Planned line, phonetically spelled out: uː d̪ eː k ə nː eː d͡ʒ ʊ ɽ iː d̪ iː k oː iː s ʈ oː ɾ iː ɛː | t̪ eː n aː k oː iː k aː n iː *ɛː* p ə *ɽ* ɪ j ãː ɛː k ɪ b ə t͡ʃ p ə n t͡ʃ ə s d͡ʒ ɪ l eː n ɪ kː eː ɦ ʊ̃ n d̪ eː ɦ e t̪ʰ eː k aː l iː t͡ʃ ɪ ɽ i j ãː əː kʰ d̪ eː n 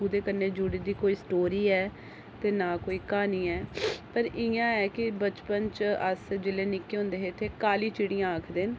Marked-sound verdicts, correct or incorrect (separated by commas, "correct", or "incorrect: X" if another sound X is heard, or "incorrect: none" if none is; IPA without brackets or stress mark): correct, incorrect: ɾ